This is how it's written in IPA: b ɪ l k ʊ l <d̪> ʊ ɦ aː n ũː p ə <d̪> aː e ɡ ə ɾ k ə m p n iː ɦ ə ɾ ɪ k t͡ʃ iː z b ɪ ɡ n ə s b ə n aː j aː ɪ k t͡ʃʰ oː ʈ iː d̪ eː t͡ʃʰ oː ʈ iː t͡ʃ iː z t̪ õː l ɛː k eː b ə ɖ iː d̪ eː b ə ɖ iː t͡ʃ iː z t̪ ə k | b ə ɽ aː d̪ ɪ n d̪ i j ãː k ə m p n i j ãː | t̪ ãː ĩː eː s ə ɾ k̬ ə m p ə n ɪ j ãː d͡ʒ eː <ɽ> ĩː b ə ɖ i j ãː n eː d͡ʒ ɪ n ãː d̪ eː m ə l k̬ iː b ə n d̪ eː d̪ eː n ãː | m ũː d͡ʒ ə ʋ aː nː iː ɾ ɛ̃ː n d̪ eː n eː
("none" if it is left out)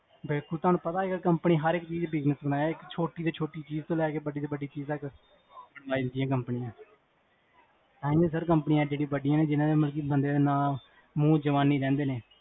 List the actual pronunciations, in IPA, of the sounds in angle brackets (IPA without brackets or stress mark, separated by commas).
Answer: t̪, t̪, ɽ